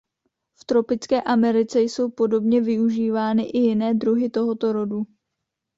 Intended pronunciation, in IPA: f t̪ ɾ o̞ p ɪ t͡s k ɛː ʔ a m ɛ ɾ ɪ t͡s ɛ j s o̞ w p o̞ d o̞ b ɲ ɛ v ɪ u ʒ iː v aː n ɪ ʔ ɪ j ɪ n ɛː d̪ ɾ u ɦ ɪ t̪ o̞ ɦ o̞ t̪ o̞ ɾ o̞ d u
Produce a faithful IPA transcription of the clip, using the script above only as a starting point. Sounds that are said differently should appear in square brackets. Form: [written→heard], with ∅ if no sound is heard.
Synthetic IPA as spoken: f t̪ ɾ o̞ p ɪ t͡s k ɛː ʔ a m ɛ ɾ ɪ t͡s ɛ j s o̞ w p o̞ d o̞ b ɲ ɛ v ɪ u ʒ iː v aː n ɪ ʔ ɪ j ɪ n ɛː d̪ ɾ u ɦ ɪ t̪ o̞ ɦ o̞ t̪ o̞ ɾ o̞ d u